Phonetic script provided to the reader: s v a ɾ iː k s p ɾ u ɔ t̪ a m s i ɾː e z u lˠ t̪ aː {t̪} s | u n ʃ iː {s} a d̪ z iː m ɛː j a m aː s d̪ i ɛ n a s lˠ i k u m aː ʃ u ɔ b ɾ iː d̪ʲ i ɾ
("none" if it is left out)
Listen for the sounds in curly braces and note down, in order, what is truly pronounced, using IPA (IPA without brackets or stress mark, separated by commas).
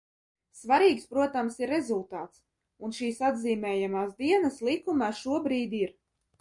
t̪, s